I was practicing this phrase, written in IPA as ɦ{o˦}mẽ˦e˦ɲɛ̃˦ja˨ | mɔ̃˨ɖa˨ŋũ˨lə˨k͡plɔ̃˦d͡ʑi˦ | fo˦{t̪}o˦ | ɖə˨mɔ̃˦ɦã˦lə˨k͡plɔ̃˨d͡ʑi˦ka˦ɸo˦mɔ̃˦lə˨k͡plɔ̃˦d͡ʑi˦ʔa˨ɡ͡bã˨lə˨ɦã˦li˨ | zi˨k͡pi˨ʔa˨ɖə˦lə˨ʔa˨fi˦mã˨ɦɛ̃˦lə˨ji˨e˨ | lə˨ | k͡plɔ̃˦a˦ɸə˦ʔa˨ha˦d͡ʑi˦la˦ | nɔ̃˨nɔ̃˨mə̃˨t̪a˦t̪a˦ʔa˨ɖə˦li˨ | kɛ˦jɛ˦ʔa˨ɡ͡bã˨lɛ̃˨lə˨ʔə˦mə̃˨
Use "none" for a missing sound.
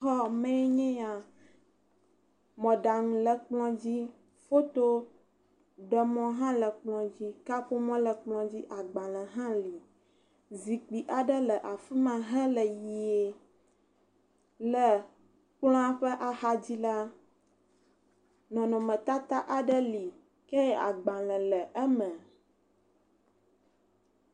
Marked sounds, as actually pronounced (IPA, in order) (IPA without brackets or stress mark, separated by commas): ɔ˦, t̪